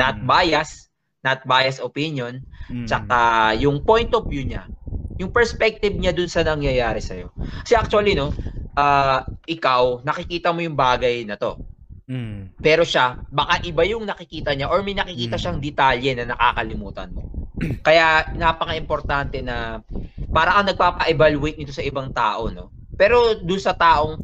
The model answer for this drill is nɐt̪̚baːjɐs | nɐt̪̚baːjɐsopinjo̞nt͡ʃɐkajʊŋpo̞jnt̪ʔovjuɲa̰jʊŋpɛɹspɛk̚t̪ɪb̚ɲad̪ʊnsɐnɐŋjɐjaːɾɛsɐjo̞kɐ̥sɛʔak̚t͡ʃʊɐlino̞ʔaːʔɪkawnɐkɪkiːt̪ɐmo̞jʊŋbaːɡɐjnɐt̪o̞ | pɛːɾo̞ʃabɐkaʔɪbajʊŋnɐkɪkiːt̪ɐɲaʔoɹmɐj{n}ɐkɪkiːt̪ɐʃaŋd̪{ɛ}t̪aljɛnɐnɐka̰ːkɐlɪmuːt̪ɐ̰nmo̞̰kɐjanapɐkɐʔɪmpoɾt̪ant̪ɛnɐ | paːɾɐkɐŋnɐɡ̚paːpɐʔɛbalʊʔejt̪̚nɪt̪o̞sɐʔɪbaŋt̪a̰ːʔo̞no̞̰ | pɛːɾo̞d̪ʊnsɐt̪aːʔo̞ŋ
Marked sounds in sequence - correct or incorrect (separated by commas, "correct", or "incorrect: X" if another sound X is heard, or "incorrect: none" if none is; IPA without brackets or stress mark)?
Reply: correct, correct